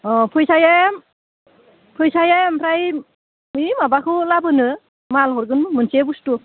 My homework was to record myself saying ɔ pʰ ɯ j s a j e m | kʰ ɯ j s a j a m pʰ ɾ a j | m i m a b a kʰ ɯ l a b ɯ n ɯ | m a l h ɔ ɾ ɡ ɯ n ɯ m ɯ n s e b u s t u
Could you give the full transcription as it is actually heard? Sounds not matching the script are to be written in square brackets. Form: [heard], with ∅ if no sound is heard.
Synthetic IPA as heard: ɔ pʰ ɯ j s a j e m | [pʰ] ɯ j s a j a m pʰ ɾ a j | m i m a b a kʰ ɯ l a b ɯ n ɯ | m a l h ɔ ɾ ɡ ɯ n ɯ m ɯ n s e b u s t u